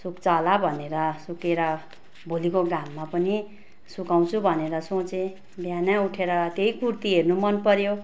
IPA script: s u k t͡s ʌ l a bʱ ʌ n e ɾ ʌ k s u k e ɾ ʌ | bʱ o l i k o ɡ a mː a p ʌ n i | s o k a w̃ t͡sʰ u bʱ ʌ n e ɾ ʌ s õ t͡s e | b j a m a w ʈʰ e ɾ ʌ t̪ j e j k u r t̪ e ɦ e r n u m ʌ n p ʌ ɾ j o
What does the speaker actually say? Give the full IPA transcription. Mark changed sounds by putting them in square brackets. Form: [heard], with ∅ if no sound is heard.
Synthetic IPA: s u k t͡s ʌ l a bʱ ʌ n e ɾ ʌ [∅] s u k e ɾ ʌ | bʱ o l i k o ɡ a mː a p ʌ n i | s [u] k a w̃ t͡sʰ u bʱ ʌ n e ɾ ʌ s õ t͡s e | b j a [n] a [u] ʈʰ e ɾ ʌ t̪ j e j k u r t̪ [i] ɦ e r n u m ʌ n p ʌ ɾ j o